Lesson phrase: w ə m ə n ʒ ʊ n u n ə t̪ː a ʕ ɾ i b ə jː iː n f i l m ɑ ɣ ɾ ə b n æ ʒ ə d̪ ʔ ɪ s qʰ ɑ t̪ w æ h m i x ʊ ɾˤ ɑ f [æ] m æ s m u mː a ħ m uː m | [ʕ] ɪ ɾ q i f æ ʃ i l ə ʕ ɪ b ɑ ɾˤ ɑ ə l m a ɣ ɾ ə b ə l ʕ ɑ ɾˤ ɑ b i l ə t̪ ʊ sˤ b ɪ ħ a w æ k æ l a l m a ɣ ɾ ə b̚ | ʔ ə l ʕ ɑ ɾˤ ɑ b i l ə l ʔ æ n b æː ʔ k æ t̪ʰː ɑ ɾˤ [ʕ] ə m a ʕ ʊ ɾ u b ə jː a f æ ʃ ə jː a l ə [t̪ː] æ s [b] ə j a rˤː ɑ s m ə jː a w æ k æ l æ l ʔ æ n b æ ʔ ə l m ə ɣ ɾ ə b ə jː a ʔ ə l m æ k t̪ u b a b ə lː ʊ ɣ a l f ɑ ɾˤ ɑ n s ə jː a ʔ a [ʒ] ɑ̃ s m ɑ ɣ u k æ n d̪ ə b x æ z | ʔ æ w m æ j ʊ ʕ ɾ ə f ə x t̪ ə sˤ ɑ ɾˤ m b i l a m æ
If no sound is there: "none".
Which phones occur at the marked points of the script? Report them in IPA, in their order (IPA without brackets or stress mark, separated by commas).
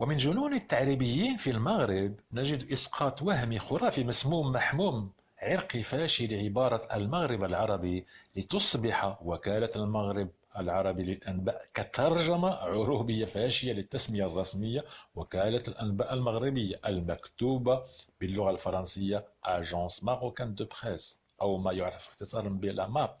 i, ʕ, ʒ, t̪ː, m, ʒ